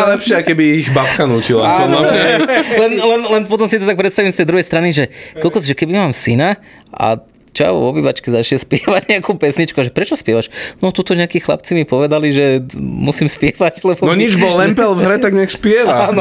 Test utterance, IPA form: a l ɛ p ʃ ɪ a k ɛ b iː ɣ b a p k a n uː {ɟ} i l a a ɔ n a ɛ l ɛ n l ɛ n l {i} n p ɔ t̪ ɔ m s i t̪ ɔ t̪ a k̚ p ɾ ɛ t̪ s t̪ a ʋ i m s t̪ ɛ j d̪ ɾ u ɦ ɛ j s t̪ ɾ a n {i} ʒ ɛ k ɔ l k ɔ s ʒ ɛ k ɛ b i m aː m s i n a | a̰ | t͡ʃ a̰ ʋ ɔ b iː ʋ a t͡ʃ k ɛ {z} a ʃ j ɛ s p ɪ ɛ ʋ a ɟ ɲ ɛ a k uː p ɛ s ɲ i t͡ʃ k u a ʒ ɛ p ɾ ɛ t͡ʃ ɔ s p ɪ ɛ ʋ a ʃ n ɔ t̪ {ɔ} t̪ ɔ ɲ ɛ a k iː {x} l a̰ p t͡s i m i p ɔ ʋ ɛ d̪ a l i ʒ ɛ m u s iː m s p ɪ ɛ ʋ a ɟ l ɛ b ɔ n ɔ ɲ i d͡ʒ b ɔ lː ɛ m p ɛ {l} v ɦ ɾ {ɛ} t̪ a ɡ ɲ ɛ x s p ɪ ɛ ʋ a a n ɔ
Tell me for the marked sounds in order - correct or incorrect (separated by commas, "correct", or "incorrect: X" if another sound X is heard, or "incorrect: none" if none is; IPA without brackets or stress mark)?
incorrect: c, incorrect: ɛ, correct, correct, incorrect: u, correct, correct, correct